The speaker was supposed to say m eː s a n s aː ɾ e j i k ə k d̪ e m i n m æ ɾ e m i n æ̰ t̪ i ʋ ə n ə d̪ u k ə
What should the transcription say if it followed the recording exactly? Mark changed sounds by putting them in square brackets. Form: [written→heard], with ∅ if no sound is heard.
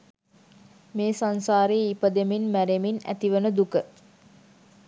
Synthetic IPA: m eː s a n s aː ɾ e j i [k→p] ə [k→∅] d̪ e m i n m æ ɾ e m i n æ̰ t̪ i ʋ ə n ə d̪ u k ə